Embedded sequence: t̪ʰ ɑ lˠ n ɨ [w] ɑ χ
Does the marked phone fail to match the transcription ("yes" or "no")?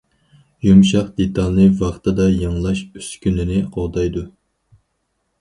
yes